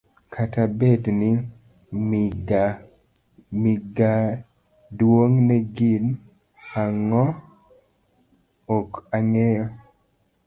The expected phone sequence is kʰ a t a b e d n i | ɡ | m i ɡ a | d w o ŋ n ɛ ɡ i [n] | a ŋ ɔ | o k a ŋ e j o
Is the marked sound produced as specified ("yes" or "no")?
yes